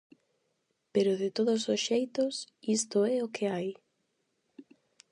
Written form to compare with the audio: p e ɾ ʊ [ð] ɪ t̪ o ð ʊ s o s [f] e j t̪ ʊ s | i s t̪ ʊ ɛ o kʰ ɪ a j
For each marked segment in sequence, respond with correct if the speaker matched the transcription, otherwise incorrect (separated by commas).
correct, incorrect